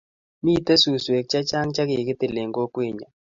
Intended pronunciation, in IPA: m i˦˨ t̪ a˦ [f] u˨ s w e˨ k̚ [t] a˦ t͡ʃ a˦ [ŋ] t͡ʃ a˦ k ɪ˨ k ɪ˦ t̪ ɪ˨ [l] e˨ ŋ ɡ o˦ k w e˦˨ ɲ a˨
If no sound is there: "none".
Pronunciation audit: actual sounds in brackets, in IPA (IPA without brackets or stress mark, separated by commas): s, t͡ʃ, ŋ, l